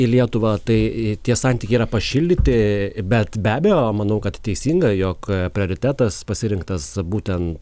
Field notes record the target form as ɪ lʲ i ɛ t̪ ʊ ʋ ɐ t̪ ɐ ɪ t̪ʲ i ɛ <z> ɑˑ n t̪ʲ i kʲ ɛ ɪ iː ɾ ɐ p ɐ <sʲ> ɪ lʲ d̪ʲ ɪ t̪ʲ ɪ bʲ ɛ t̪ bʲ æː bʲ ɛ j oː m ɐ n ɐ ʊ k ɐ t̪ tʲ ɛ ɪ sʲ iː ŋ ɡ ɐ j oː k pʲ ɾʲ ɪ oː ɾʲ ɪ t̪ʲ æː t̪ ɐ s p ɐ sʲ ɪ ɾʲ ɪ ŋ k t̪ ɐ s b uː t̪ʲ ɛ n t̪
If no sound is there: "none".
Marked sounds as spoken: s, ʃʲ

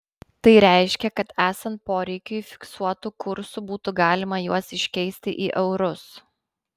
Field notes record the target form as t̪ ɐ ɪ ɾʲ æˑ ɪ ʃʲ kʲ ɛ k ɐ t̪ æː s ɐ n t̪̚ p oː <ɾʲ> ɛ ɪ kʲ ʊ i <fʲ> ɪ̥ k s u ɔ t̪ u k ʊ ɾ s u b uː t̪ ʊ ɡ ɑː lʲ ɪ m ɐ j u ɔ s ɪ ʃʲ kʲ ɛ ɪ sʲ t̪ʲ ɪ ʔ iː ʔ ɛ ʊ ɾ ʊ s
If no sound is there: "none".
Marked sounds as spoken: ɾʲ, fʲ

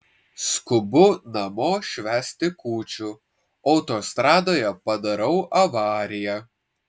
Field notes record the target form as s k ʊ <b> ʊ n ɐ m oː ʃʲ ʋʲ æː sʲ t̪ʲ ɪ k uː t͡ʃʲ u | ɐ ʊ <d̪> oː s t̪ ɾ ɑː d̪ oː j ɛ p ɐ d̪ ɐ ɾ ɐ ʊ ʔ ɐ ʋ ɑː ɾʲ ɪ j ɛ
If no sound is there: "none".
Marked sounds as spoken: b, t̪

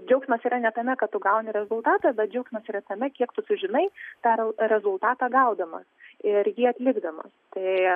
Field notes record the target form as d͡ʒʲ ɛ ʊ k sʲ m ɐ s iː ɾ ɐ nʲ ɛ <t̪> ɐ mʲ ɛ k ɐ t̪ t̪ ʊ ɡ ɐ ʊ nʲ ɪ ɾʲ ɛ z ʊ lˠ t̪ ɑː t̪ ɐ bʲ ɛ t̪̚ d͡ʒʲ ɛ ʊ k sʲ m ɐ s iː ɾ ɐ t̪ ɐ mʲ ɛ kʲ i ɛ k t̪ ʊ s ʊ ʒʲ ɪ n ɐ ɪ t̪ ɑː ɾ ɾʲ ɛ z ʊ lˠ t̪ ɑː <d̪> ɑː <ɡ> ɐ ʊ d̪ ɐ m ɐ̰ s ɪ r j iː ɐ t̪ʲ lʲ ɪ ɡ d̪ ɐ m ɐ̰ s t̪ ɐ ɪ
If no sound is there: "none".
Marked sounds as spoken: t̪, t̪, ɡ

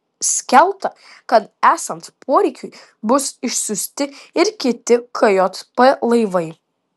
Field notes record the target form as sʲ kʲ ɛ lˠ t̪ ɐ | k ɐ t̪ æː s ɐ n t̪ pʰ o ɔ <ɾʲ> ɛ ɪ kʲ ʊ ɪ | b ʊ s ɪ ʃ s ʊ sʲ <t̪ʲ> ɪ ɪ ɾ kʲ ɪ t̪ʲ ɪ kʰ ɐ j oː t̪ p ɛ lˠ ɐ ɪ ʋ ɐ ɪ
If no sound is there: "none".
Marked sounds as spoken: ɾʲ, t̪ʲ

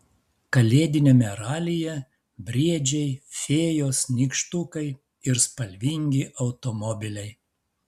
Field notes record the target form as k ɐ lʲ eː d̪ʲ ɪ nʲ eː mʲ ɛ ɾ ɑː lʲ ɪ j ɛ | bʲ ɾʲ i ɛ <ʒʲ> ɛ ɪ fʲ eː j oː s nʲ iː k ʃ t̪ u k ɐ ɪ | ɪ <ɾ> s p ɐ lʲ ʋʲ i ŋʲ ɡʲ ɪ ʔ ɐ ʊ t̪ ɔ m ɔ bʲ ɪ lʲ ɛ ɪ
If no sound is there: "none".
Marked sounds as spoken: d͡ʒʲ, ɾ

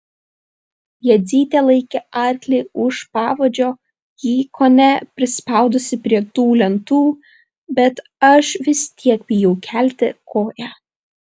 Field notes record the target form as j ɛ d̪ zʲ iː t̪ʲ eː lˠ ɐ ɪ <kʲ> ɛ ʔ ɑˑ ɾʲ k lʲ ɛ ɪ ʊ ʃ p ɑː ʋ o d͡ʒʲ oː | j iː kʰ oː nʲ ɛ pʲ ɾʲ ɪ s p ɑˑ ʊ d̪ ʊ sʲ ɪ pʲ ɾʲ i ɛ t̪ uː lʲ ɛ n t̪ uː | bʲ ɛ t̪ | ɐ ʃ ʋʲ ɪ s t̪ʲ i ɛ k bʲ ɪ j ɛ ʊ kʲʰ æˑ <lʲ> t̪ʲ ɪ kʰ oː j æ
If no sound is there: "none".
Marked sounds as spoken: kʲ, lʲ

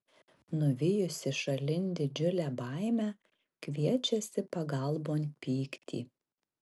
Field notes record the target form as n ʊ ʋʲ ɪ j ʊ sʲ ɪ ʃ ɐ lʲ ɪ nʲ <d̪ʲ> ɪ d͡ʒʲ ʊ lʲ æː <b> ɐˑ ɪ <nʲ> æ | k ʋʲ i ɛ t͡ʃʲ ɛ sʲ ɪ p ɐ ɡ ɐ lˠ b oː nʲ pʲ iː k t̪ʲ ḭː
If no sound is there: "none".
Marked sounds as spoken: d̪ʲ, b, mʲ

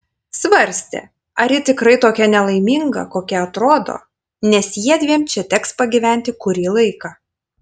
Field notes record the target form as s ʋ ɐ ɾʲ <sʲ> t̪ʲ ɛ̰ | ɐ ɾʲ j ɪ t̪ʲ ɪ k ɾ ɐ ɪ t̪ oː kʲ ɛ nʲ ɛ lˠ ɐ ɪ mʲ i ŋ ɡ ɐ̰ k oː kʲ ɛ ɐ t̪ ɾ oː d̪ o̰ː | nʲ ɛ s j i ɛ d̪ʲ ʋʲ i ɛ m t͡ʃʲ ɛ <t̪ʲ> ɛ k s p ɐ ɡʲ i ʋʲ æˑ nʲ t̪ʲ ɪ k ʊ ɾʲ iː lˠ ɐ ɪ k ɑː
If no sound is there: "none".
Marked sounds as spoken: sʲ, t̪ʲ

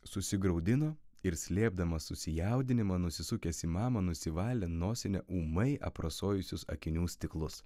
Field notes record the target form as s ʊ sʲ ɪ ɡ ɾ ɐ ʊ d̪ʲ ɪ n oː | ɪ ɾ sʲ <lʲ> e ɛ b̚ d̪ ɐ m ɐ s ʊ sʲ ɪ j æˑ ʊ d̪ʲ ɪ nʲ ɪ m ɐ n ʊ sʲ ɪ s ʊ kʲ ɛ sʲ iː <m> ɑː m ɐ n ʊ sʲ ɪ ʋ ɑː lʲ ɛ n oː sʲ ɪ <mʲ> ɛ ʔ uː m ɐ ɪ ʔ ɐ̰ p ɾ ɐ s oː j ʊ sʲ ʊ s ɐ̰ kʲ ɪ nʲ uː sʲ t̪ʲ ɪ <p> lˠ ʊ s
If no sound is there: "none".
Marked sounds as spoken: lʲ, m, nʲ, k

